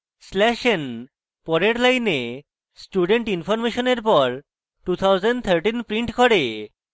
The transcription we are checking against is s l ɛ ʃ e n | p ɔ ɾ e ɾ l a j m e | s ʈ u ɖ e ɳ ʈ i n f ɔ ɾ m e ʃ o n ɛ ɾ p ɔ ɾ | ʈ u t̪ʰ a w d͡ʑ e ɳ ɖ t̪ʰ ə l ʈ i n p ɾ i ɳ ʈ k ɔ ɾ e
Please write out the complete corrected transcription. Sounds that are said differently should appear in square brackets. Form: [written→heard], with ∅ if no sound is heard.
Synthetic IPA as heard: s l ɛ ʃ e n | p ɔ ɾ e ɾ l a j [m→n] e | s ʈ u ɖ e ɳ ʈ i n f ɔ ɾ m e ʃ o n [ɛ→e] ɾ p ɔ ɾ | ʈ u t̪ʰ a w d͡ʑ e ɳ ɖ t̪ʰ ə [l→ɾ] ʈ i n p ɾ i ɳ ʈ k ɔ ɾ e